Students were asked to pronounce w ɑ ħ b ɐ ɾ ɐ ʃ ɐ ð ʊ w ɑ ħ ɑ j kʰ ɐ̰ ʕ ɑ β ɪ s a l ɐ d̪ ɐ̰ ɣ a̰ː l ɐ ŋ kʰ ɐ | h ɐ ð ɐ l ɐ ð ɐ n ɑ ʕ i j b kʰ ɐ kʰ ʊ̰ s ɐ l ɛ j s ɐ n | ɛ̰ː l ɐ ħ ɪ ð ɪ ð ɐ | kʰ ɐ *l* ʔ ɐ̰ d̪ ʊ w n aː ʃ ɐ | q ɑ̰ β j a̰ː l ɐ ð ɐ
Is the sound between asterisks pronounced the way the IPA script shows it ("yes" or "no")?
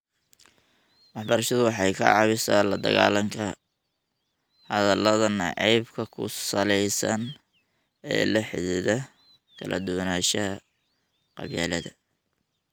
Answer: yes